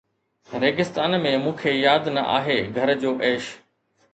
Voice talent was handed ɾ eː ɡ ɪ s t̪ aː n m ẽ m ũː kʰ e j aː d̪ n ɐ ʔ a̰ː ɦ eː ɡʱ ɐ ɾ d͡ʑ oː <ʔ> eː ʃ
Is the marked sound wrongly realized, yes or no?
no